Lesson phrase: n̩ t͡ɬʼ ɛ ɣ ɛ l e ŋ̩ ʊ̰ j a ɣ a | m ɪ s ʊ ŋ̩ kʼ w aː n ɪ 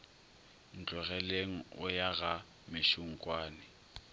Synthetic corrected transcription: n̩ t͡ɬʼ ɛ ɣ ɛ l e ŋ̩ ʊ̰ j a ɣ a | m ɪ ʃ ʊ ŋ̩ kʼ w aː n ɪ